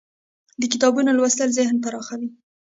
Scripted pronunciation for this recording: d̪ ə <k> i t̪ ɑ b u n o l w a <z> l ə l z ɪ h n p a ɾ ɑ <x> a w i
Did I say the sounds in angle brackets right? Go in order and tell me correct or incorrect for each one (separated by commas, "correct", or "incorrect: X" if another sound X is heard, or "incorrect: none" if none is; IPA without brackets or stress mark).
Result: correct, incorrect: s, correct